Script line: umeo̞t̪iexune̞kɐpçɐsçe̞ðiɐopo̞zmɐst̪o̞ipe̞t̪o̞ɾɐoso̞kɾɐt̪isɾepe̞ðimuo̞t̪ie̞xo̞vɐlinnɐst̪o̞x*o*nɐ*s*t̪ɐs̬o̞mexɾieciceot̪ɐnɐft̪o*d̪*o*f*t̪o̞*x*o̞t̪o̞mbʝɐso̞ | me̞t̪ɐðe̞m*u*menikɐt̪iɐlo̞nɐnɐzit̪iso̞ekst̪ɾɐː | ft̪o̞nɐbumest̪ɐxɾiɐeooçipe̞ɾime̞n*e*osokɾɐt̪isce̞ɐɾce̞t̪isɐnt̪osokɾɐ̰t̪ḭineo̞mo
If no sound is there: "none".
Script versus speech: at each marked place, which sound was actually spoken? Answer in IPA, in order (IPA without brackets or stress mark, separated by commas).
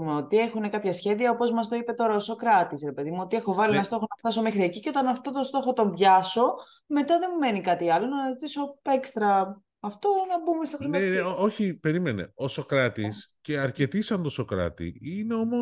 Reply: o, f, t̪, s, x, u, e